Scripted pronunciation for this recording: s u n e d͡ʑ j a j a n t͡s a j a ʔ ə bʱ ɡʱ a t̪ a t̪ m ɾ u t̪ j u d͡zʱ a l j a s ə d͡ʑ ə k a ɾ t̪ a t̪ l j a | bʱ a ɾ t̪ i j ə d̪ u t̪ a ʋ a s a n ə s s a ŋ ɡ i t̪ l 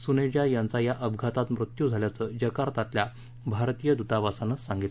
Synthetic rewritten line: s u n e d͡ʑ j a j a n t͡s a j a ʔ ə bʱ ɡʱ a t̪ a t̪ m ɾ u t̪ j u d͡zʱ a l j a t͡s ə d͡ʑ ə k a ɾ t̪ a t̪ l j a | bʱ a ɾ t̪ i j ə d̪ u t̪ a ʋ a s a n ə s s a ŋ ɡ i t̪ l